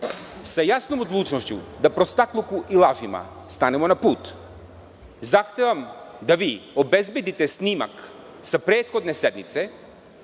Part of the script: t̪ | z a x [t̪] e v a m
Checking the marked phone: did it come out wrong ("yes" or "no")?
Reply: no